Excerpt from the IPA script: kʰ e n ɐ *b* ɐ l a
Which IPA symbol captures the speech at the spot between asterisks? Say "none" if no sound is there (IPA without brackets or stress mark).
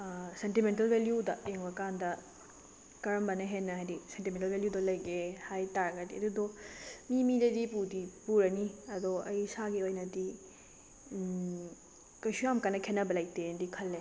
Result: b